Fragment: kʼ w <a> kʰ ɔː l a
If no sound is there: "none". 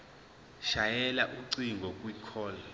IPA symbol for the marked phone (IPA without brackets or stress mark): i